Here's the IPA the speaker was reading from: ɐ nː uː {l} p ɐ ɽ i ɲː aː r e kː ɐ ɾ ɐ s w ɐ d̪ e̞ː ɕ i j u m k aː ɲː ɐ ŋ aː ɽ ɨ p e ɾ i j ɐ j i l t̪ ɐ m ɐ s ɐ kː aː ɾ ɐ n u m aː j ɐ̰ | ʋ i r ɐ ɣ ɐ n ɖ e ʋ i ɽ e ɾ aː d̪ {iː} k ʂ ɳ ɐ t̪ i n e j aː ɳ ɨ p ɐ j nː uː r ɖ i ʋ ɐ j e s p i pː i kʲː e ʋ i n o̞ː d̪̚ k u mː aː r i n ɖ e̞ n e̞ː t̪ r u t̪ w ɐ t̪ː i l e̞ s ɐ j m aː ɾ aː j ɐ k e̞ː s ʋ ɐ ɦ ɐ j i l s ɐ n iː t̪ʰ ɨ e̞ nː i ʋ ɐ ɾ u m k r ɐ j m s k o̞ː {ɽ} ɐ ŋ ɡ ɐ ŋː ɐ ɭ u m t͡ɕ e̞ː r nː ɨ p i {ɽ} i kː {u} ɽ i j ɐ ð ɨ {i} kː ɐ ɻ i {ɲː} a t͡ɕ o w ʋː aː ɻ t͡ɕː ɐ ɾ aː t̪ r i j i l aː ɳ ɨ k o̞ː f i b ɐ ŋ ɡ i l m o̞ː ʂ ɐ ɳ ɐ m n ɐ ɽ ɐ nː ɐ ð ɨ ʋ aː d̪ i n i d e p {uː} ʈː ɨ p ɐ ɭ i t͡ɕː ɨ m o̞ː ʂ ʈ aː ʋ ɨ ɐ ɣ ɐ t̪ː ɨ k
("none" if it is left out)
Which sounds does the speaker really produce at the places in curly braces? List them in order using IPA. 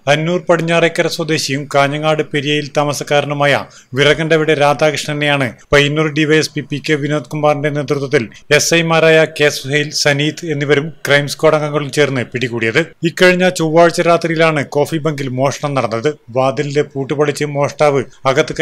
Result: r, aː, ɽ, ɽ, uː, i, ɲː, uː

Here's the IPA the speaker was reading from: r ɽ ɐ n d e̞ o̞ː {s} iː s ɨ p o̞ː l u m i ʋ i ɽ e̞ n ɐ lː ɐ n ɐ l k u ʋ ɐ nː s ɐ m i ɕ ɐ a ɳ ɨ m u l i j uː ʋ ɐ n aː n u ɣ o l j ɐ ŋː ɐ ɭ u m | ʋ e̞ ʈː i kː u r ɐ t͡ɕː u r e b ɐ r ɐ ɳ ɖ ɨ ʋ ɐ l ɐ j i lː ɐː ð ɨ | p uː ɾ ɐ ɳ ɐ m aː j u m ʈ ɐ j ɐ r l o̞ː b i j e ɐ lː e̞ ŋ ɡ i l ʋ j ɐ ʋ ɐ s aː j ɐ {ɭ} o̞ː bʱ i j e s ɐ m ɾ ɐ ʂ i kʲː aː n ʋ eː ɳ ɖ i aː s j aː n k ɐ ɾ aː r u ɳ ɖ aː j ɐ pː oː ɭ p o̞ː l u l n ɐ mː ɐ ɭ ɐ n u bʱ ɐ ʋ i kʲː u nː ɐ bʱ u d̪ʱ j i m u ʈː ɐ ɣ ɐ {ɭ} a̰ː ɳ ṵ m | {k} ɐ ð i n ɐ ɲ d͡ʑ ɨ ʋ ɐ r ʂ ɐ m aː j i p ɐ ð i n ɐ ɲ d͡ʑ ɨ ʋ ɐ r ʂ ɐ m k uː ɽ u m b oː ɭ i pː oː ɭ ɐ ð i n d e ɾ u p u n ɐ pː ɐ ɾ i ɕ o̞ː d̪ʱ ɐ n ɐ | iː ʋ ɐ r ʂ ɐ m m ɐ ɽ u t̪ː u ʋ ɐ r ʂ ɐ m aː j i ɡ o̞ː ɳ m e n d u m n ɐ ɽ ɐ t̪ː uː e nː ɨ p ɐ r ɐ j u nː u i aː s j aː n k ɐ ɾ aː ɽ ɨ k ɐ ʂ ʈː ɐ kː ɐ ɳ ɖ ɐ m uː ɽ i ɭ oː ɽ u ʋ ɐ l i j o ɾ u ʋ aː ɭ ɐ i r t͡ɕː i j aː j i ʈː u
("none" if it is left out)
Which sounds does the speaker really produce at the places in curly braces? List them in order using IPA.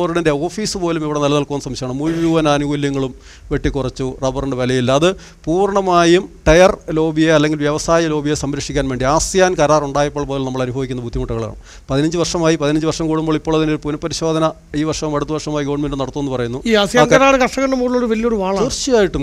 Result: f, l, ɭ, p

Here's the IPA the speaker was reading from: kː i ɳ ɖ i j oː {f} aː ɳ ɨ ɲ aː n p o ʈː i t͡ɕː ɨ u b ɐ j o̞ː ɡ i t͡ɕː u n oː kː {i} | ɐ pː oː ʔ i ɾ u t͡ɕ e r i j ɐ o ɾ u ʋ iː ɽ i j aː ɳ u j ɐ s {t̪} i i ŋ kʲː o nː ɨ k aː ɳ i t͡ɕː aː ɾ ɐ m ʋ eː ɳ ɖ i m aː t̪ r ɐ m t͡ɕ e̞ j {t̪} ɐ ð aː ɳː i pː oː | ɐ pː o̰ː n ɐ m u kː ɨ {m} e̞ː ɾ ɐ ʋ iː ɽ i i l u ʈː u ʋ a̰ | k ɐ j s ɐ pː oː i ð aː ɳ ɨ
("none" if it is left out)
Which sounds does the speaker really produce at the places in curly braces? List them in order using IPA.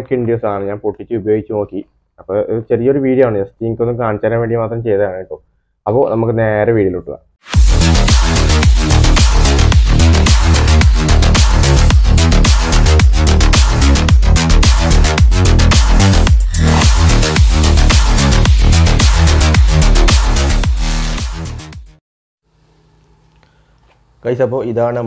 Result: s, i, t̪, t̪, n

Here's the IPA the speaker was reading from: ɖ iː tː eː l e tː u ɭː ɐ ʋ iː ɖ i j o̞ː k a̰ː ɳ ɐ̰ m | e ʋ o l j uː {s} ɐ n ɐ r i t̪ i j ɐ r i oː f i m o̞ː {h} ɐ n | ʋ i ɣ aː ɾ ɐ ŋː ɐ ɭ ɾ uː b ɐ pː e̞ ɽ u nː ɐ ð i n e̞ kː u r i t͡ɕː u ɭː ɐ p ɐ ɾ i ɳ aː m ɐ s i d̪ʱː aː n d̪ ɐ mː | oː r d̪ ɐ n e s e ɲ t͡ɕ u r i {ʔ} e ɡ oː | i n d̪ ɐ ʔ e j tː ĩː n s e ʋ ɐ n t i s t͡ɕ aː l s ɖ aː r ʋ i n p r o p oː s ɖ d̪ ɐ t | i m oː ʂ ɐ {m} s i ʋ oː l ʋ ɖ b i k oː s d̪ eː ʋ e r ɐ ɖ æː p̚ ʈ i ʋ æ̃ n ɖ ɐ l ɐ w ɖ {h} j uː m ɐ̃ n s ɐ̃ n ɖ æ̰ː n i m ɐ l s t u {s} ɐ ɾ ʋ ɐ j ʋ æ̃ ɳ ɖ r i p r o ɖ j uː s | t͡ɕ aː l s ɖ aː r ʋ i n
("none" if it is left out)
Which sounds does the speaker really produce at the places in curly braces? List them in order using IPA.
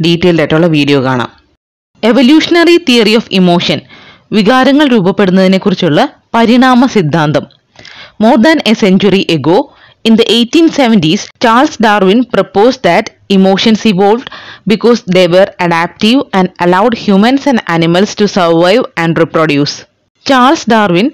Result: ʂ, ʂ, ʔ, n, h, s

